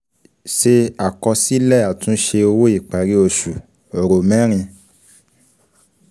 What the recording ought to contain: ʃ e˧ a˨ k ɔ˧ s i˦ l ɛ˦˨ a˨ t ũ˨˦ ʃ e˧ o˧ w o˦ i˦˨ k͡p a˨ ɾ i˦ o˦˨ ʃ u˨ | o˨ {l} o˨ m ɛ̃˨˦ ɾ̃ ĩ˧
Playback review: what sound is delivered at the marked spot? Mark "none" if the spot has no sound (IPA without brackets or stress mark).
ɾ